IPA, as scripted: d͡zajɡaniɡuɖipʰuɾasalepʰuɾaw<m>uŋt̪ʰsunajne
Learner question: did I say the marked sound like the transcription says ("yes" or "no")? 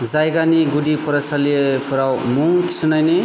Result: yes